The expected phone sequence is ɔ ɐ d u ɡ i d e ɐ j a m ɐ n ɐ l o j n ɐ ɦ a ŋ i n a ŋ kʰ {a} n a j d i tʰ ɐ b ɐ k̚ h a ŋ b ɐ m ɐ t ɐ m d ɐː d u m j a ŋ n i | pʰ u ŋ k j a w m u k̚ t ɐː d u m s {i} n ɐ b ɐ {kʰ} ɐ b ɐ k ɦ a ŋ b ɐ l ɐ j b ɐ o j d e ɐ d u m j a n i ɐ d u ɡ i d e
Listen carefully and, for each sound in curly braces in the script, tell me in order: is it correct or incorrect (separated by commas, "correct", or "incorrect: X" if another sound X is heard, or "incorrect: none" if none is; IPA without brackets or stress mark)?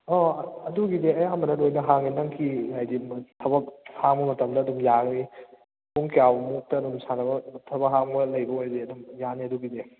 incorrect: i, incorrect: a, incorrect: tʰ